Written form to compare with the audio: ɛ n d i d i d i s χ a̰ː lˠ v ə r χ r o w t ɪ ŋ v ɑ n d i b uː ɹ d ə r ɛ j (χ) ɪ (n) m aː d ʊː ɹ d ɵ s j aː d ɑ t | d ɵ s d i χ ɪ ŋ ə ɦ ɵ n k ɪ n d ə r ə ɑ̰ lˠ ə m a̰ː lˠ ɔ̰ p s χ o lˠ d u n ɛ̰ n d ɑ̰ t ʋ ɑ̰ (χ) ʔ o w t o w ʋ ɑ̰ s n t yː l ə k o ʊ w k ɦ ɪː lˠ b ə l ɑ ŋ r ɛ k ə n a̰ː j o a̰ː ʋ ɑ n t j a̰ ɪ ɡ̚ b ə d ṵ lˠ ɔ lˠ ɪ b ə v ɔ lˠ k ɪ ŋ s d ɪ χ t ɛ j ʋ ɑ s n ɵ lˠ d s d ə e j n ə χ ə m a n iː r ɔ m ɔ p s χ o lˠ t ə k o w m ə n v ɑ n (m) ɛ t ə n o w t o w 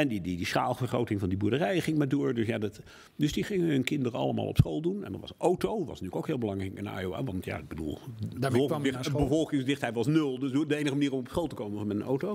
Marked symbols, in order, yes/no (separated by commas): yes, no, no, yes